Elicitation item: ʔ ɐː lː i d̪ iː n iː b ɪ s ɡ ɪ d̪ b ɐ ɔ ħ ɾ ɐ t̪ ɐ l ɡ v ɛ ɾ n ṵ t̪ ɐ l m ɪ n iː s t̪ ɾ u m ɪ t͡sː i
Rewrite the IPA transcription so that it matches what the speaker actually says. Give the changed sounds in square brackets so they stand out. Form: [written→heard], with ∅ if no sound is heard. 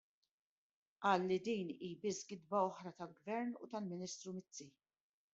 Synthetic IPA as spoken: ʔ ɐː lː i d̪ iː n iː b ɪ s ɡ ɪ d̪ b ɐ ɔ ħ ɾ ɐ t̪ ɐ l ɡ v ɛ ɾ n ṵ t̪ ɐ l m ɪ n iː s t̪ ɾ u m ɪ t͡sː i